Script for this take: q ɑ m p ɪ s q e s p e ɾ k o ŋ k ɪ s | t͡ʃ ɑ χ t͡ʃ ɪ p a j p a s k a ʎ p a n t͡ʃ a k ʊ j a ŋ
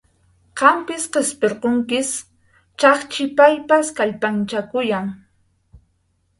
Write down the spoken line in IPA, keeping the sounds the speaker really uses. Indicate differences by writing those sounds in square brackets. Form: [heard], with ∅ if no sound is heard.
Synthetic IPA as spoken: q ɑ m p ɪ s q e s p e ɾ [q] o ŋ k ɪ s | t͡ʃ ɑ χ t͡ʃ ɪ p a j p a s k a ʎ p a n t͡ʃ a k ʊ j a ŋ